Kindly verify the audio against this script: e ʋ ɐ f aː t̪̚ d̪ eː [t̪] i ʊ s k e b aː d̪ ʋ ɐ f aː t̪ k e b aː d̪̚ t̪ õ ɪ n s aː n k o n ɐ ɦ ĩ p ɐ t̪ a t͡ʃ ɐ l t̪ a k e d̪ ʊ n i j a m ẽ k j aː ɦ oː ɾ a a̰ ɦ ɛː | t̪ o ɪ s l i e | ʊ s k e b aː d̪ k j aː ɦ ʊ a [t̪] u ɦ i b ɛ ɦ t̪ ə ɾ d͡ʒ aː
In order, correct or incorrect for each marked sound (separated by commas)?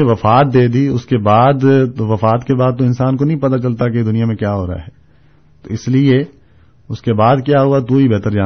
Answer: incorrect, correct